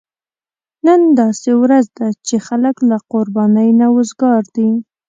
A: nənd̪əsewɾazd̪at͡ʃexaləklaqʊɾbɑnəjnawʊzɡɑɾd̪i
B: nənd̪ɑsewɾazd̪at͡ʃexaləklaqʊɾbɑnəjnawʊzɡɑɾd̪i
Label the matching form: B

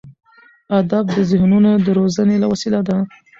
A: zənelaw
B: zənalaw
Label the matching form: A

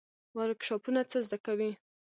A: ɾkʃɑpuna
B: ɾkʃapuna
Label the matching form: A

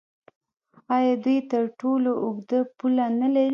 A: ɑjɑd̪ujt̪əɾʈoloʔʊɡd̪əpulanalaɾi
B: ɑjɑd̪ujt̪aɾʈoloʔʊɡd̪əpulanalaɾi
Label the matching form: A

